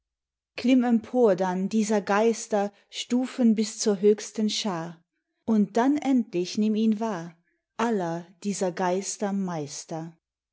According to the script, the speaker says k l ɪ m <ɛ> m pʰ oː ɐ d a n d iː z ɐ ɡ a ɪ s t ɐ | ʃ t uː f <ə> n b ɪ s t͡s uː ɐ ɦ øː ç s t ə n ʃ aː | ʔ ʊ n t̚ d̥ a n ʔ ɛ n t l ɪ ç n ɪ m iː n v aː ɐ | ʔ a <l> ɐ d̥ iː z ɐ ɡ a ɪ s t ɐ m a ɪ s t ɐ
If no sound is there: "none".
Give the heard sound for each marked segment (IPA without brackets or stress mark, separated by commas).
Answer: ɛ, ə, l